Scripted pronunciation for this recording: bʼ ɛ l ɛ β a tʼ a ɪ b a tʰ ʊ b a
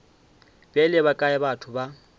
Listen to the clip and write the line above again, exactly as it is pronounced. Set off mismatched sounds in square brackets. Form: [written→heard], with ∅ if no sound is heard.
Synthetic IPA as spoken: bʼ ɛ l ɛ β a [tʼ→kʼ] a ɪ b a tʰ ʊ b a